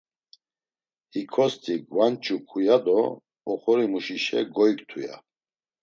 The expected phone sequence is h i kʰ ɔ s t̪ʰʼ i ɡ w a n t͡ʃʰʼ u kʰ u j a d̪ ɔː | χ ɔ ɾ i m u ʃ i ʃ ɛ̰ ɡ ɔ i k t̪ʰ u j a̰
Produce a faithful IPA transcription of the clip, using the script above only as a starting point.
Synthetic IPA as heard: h i kʰ ɔ s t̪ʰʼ i ɡ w a n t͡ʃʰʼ u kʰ u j a d̪ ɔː | χ ɔ ɾ i m u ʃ i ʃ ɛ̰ ɡ ɔ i k t̪ʰ u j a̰